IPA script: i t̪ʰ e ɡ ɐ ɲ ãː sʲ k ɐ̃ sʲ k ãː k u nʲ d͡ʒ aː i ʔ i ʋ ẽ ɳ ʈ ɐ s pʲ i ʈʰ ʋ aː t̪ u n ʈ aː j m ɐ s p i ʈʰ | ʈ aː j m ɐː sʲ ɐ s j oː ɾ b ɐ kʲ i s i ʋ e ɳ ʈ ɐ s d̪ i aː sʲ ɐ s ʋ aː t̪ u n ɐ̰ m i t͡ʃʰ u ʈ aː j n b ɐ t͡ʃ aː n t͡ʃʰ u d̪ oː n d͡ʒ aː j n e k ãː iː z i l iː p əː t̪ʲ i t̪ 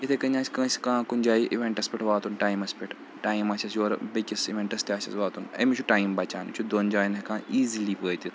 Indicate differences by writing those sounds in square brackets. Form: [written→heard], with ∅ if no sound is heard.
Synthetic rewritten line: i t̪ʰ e [ɡ→k] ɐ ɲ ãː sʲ k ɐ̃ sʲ k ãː k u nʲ d͡ʒ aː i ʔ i ʋ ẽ ɳ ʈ ɐ s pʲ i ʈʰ ʋ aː t̪ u n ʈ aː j m ɐ s p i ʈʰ | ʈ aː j m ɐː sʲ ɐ s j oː ɾ b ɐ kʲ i s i ʋ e ɳ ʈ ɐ s [d̪→t̪] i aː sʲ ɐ s ʋ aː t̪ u n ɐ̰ m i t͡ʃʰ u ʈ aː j [n→m] b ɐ t͡ʃ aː n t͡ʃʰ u d̪ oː n d͡ʒ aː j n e k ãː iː z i l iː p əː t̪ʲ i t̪